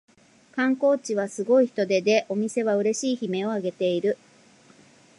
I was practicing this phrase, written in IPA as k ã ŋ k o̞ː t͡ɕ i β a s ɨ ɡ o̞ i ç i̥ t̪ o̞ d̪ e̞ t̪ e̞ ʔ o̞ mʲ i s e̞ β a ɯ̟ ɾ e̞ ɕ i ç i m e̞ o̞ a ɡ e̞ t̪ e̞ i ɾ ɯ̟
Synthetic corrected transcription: k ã ŋ k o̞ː t͡ɕ i β a s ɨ ɡ o̞ i ç i̥ t̪ o̞ d̪ e̞ d̪ e̞ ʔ o̞ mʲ i s e̞ β a ɯ̟ ɾ e̞ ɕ iː ç i m e̞ o̞ a ɡ e̞ t̪ e̞ i ɾ ɯ̟